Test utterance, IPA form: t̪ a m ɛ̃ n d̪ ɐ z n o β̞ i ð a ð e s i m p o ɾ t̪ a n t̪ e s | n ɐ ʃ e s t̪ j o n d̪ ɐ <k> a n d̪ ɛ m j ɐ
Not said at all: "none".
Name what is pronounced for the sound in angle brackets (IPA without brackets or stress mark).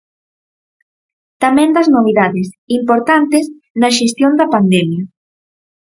p